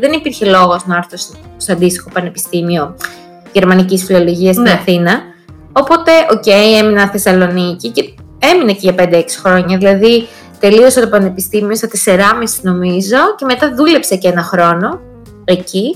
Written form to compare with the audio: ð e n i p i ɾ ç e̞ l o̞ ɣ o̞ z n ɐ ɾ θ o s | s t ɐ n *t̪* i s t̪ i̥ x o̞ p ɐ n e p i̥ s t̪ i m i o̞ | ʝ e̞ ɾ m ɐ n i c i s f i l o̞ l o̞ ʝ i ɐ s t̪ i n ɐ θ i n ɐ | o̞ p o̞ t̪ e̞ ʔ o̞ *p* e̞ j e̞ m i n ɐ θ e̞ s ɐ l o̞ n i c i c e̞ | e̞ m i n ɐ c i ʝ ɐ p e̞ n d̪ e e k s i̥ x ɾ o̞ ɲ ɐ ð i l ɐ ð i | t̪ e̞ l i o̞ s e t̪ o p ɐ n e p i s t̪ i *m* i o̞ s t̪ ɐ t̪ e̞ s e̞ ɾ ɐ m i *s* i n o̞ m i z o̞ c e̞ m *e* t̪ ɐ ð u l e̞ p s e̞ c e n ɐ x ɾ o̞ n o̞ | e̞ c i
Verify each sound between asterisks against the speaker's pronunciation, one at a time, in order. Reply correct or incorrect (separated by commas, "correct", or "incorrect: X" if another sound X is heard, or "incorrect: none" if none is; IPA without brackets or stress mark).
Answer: incorrect: d̪, incorrect: c, correct, correct, correct